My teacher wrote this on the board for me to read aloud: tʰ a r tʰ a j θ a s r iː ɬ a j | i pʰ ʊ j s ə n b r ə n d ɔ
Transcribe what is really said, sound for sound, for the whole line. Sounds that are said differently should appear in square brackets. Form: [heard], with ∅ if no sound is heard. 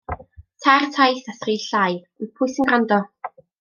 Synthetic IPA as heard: tʰ a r tʰ a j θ a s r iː ɬ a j | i pʰ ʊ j s ə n [ɡ] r [a] n d ɔ